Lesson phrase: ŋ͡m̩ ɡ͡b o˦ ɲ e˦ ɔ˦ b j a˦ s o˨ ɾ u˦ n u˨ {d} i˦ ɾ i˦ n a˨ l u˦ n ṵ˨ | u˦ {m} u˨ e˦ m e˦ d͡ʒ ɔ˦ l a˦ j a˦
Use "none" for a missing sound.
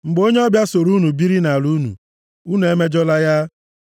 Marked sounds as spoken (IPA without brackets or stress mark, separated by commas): b, n